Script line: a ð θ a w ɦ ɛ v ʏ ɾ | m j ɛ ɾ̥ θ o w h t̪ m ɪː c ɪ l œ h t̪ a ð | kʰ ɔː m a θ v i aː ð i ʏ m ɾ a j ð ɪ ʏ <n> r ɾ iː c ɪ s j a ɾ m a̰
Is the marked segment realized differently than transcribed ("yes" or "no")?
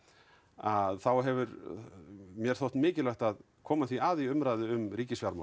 yes